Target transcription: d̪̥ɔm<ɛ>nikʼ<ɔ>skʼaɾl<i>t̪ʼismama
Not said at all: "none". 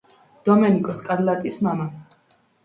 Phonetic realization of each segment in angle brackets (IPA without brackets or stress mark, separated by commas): ɛ, ɔ, a